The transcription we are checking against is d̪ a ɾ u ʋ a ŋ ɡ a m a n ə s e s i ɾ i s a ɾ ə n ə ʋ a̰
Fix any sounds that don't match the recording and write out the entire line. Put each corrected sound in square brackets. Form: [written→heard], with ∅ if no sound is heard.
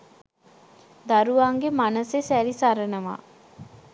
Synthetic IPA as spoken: d̪ a ɾ u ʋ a ŋ ɡ [a→e] m a n ə s e s [i→æ] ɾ i s a ɾ ə n ə ʋ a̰